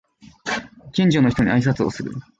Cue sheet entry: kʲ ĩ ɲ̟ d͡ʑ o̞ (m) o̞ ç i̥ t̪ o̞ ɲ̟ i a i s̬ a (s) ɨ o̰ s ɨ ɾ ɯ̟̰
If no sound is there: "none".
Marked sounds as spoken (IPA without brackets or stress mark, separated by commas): n, t͡s